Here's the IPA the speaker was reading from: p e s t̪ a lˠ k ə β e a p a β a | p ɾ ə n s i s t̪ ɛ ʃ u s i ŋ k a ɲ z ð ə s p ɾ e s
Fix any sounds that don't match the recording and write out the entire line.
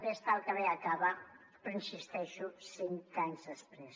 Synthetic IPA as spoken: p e s t̪ a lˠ k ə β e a k a β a | p ɾ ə n s i s t̪ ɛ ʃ u s i ŋ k a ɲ z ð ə s p ɾ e s